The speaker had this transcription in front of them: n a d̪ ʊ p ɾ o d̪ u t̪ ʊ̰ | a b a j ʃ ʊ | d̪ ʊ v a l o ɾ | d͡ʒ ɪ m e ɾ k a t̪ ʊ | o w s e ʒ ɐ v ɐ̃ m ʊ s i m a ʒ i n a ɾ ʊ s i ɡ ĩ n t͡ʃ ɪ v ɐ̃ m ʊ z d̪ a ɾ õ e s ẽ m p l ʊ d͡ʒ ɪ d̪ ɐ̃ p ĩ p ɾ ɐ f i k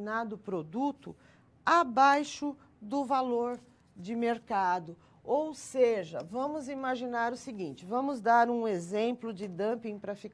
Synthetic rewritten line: n a d̪ ʊ p ɾ o d̪ u t̪ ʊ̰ | a b a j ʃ ʊ | d̪ ʊ v a l o ɾ | d͡ʒ ɪ m e ɾ k a d̪ ʊ | o w s e ʒ ɐ v ɐ̃ m ʊ z i m a ʒ i n a ɾ ʊ s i ɡ ĩ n t͡ʃ ɪ v ɐ̃ m ʊ z d̪ a ɾ ũ e z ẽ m p l ʊ d͡ʒ ɪ d̪ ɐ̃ p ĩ p ɾ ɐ f i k